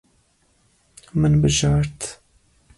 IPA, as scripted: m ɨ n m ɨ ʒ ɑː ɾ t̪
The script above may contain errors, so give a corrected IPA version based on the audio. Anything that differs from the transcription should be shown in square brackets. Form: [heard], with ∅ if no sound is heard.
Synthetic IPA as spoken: m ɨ n [b] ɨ ʒ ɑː ɾ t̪